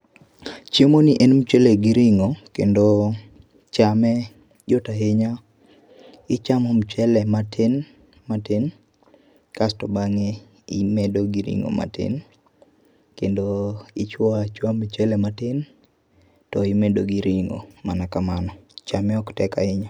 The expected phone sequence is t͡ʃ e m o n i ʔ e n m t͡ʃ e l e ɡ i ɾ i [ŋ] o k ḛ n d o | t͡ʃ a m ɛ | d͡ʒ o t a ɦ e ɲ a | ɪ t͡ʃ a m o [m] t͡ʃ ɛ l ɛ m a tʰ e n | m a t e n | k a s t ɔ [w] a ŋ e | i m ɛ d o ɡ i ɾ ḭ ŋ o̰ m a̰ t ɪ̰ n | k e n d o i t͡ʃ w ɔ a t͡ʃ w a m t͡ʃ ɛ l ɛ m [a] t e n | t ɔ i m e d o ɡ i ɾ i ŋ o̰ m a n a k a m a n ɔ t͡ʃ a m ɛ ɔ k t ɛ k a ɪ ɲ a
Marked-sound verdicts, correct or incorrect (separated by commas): correct, correct, incorrect, correct